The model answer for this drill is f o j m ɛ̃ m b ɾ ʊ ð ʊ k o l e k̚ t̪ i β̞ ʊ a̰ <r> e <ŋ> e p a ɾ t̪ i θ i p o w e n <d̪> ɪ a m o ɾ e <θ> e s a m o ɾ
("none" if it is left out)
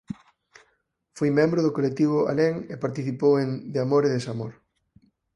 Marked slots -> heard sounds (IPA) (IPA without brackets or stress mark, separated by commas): l, ŋ, d̪, ð